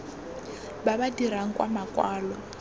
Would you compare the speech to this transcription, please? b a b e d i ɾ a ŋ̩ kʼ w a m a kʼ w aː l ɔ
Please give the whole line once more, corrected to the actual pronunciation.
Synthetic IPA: b a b a d i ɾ a ŋ̩ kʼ w a m a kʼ w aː l ɔ